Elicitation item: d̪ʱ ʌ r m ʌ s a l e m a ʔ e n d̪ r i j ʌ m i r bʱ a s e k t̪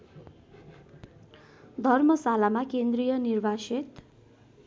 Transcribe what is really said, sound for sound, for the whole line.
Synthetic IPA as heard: d̪ʱ ʌ r m ʌ s a l a m a k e n d̪ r i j ʌ n i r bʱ a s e t̪